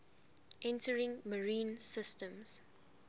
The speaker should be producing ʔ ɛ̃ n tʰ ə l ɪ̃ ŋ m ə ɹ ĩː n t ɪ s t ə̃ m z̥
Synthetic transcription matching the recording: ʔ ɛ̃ n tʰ ə ɹ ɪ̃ ŋ m ə ɹ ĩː n s ɪ s t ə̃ m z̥